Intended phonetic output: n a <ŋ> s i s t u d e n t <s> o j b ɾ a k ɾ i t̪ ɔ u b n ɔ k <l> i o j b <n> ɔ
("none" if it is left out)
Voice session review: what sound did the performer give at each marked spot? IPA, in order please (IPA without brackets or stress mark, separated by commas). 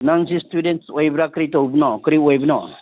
ŋ, s, ɾ, n